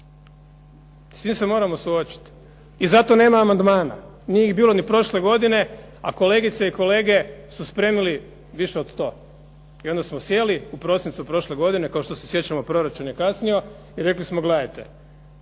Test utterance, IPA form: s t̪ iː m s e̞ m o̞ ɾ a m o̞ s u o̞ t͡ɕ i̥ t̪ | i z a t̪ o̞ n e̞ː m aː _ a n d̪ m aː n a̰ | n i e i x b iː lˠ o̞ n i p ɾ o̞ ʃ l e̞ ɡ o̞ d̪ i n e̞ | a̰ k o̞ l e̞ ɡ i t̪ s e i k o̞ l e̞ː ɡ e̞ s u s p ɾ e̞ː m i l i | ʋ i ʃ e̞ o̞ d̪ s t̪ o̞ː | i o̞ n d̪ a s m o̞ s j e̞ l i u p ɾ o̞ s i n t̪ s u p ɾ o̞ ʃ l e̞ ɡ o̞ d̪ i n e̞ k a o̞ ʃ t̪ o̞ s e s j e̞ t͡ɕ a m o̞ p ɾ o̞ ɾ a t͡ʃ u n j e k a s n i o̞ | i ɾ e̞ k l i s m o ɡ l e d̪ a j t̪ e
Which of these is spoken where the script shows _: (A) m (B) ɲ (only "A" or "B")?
A